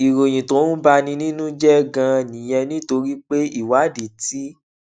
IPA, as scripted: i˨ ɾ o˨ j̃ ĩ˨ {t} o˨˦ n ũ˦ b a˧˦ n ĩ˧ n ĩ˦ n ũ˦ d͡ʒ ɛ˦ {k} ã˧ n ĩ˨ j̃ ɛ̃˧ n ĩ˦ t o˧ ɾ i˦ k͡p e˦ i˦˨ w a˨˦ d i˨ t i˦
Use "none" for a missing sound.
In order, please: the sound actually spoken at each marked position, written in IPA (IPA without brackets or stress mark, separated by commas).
t, ɡ